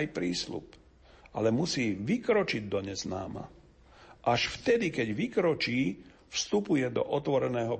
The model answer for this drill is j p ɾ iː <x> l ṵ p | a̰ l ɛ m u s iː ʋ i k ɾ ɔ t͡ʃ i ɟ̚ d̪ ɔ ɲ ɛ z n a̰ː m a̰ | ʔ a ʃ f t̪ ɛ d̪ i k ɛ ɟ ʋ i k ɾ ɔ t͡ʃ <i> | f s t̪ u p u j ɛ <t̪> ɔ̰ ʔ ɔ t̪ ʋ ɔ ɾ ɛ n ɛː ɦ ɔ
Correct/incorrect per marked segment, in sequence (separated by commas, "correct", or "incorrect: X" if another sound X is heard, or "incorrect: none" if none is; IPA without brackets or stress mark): incorrect: s, incorrect: iː, incorrect: d̪